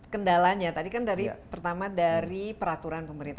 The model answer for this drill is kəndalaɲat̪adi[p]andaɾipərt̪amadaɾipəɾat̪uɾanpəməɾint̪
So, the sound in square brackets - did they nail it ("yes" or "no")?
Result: no